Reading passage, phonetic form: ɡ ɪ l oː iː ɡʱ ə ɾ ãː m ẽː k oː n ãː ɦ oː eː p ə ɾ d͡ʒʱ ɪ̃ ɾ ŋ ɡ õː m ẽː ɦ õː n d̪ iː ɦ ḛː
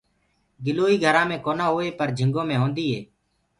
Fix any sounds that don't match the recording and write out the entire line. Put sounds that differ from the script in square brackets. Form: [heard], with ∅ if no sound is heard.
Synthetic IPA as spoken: ɡ ɪ l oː iː ɡʱ ə ɾ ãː m ẽː k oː n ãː ɦ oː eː p ə ɾ d͡ʒʱ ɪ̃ [∅] ŋ ɡ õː m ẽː ɦ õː n d̪ iː ɦ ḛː